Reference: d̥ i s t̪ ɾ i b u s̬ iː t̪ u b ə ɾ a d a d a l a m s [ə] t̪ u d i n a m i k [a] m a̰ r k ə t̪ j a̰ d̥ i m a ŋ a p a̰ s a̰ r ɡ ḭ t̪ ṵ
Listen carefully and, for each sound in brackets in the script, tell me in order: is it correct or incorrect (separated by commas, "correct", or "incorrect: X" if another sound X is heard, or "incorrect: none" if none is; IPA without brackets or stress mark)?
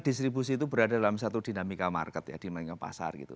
incorrect: a, correct